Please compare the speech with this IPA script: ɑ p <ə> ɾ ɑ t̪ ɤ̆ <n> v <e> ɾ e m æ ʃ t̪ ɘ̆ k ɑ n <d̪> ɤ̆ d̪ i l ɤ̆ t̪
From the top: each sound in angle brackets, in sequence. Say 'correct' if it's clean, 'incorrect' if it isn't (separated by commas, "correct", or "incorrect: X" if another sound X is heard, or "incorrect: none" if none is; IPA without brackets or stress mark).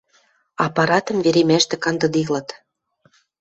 incorrect: ɑ, incorrect: m, correct, correct